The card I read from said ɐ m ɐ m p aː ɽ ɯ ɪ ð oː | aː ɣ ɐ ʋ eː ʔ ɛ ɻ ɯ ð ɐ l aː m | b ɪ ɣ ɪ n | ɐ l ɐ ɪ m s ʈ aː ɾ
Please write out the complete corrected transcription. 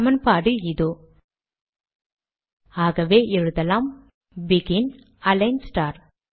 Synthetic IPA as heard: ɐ m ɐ n p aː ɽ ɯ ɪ ð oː | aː ɣ ɐ ʋ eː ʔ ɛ ɻ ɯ ð ɐ l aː m | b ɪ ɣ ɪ n | ɐ l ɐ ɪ n s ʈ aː ɾ